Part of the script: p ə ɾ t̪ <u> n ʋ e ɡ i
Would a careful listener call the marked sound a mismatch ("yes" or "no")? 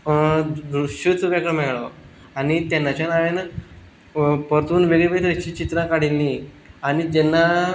yes